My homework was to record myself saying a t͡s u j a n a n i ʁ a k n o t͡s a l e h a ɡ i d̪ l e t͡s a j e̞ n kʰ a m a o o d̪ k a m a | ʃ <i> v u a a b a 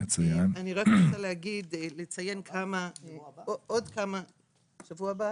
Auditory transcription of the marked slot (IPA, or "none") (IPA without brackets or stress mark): a